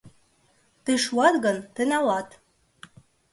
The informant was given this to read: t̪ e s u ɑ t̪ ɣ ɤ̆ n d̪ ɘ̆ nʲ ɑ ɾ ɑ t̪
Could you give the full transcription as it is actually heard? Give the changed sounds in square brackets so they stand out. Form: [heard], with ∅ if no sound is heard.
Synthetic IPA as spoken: t̪ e [ʃ] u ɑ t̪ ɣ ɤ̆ n [t̪] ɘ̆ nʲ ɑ [l] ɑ t̪